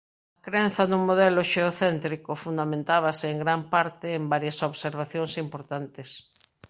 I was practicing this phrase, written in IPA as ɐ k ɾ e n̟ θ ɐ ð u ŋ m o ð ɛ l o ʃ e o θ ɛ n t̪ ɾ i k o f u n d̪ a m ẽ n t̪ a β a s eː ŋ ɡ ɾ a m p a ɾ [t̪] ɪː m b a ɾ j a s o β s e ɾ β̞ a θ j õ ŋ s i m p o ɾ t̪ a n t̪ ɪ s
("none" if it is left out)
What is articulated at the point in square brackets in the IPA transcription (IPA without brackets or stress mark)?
t̪